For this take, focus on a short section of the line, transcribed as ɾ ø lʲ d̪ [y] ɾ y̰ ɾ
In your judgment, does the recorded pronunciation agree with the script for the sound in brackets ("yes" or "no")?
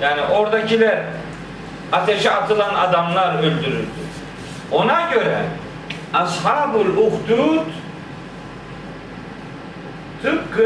yes